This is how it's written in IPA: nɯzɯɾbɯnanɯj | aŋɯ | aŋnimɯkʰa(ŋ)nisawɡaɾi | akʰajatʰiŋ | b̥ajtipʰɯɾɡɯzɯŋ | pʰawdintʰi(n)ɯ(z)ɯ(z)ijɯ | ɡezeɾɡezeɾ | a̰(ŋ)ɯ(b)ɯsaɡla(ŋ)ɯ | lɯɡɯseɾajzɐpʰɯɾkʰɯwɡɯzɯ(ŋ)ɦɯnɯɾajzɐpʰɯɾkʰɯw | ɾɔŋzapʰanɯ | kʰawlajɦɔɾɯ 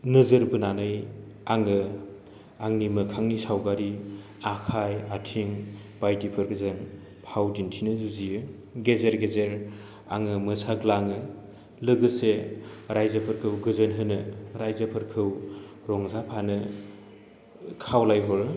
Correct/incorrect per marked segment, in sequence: correct, correct, correct, correct, correct, incorrect, correct, incorrect

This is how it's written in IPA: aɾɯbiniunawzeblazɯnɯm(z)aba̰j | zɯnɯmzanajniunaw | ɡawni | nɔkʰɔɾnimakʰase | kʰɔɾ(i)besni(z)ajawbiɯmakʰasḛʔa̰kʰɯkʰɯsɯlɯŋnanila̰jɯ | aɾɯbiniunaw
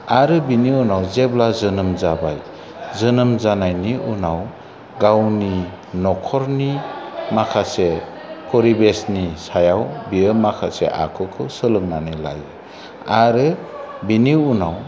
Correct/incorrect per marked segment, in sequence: correct, correct, incorrect

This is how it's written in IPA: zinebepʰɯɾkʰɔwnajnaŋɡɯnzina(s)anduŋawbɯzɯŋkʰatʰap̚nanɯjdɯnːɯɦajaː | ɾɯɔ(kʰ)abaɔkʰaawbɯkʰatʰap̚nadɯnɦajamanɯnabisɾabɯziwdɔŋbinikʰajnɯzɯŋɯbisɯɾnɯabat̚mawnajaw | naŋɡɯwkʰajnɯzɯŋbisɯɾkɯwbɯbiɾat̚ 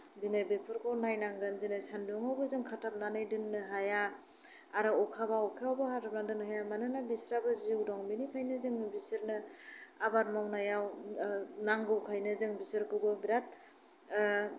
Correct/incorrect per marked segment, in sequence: correct, correct

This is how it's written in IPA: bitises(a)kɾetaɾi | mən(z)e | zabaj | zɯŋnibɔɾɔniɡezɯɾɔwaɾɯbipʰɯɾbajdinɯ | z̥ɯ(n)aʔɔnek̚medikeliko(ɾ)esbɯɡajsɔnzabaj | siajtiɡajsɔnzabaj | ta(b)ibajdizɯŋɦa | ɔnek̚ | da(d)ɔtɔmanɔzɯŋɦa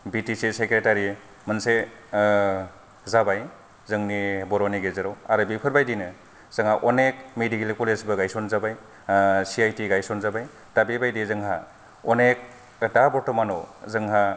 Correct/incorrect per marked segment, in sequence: incorrect, incorrect, incorrect, incorrect, correct, incorrect

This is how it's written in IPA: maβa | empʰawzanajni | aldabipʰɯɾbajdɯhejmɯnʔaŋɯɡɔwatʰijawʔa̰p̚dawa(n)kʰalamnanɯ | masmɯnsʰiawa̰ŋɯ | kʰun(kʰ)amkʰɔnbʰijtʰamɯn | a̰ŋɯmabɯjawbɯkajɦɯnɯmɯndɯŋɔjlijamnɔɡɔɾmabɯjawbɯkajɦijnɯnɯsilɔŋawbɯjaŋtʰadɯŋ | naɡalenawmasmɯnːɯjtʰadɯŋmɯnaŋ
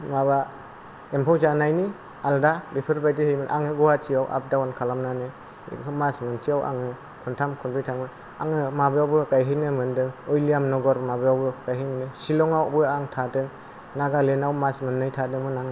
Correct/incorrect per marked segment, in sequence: correct, incorrect

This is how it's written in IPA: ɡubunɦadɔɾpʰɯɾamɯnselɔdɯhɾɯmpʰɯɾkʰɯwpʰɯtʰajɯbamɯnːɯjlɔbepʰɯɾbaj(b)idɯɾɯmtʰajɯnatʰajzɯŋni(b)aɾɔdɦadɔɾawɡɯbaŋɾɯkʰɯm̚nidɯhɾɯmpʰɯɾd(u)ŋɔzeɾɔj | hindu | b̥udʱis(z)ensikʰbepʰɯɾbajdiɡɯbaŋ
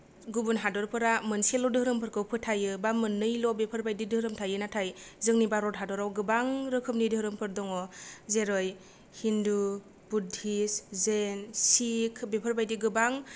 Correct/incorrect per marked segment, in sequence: incorrect, correct, incorrect, correct

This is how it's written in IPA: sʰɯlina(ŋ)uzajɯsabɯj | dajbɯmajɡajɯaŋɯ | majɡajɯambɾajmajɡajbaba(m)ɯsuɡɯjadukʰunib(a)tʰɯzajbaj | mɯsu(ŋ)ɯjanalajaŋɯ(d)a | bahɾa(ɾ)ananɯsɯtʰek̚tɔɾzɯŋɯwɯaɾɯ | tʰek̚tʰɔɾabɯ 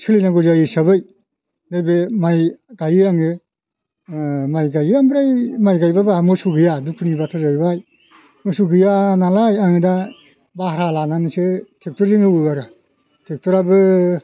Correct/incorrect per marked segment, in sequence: incorrect, correct, correct, incorrect, correct, incorrect

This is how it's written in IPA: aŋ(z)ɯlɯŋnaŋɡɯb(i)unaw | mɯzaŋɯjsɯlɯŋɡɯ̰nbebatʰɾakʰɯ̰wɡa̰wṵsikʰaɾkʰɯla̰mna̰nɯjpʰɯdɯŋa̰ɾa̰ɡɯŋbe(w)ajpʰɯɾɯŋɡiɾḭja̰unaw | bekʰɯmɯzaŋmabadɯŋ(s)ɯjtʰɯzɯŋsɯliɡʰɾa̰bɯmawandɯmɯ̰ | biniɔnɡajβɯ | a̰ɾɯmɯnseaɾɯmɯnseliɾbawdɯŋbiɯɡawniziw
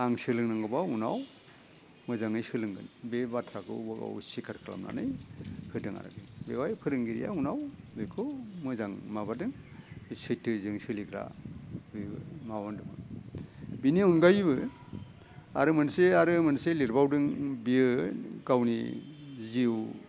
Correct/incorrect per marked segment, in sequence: incorrect, incorrect, correct, correct

